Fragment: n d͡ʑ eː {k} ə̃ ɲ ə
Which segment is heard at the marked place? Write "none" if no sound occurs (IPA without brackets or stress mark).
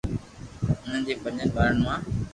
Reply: p